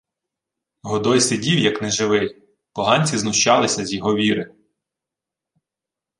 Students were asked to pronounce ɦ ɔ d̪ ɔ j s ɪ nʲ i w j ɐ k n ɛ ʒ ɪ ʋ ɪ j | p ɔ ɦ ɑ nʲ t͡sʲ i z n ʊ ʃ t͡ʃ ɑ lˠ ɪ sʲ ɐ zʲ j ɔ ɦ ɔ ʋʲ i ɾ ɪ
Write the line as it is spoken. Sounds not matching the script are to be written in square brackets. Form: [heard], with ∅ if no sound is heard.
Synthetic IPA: ɦ ɔ d̪ ɔ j s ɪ [dʲ] i w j ɐ k n ɛ ʒ ɪ ʋ ɪ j | p ɔ ɦ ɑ nʲ t͡sʲ i z n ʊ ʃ t͡ʃ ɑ lˠ ɪ sʲ ɐ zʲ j ɔ ɦ ɔ ʋʲ i ɾ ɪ